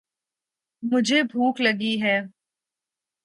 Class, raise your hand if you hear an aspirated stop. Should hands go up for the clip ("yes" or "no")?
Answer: no